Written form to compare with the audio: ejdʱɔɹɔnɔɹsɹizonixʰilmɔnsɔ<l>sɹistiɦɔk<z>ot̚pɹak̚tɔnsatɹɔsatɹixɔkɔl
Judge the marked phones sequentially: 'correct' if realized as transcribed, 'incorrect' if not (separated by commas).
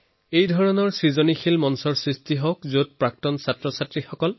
incorrect, correct